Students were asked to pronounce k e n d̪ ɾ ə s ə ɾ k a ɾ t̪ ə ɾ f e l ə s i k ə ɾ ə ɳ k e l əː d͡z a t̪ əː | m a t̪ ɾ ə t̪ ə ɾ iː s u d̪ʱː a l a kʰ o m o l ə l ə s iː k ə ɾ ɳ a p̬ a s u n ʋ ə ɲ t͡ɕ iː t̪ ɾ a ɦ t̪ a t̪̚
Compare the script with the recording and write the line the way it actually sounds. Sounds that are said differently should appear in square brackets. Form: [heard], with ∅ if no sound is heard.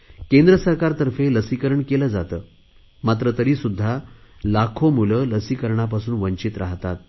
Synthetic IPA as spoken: k e n d̪ ɾ ə s ə ɾ k a ɾ t̪ ə ɾ f e l ə s i k ə ɾ ə ɳ k e l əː d͡z a t̪ əː | m a t̪ ɾ ə t̪ ə ɾ iː s u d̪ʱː a l a kʰ o m [u] l ə l ə s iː k ə ɾ ɳ a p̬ a s [uː] n ʋ ə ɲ t͡ɕ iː t̪ ɾ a ɦ t̪ a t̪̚